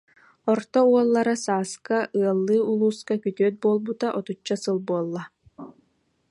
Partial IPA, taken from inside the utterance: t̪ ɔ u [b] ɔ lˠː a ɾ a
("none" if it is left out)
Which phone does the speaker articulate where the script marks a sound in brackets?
none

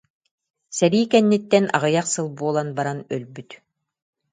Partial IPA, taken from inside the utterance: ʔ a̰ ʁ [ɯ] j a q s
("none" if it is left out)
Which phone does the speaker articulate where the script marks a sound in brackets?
ɯ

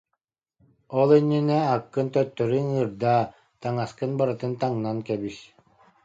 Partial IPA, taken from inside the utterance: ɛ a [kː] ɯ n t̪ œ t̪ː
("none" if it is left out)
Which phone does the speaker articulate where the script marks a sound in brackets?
kː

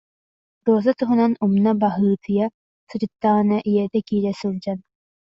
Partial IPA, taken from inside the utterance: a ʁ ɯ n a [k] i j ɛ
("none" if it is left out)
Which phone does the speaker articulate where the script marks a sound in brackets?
ʔ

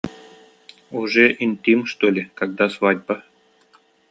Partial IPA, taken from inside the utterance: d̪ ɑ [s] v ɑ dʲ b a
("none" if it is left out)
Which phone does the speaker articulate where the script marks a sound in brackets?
s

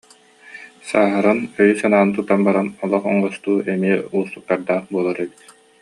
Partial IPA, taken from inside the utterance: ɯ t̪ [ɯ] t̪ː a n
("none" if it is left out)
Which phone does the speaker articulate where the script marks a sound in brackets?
u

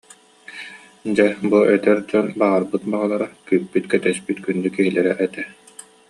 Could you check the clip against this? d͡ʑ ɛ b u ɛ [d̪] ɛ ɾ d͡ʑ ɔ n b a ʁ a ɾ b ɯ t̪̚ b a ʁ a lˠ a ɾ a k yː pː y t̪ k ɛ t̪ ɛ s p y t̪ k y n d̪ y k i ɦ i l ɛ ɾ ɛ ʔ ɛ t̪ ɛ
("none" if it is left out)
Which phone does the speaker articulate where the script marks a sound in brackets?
t̪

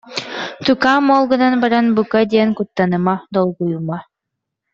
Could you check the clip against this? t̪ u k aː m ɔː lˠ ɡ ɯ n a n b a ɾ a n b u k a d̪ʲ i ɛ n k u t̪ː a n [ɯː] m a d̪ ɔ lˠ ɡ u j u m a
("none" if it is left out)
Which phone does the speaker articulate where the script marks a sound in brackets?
ɯ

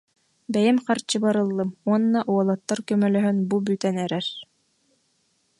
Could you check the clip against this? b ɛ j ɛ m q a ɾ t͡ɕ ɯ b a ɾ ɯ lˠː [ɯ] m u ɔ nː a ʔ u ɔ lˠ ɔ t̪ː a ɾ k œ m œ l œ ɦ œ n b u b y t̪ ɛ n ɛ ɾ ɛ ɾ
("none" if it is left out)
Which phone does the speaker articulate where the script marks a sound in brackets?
ɯ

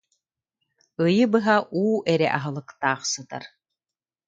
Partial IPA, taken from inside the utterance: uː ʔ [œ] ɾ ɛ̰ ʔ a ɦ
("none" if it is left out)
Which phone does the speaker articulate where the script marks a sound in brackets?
ɛ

